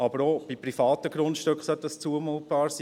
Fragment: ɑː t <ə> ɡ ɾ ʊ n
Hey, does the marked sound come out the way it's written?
yes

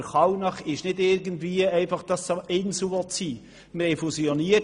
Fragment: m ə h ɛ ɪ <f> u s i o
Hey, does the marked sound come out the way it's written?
yes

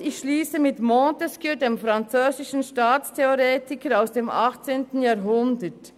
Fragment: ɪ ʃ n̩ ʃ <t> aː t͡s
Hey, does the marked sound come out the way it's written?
yes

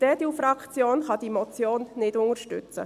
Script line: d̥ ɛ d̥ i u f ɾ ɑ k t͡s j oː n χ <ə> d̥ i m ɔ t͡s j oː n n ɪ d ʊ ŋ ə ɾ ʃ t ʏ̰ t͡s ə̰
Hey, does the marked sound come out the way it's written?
no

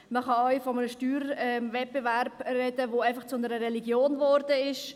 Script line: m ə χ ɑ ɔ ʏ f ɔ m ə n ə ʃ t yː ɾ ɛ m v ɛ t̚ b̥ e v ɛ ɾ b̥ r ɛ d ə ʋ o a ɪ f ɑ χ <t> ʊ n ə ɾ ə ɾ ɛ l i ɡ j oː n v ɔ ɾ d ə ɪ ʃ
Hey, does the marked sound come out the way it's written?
no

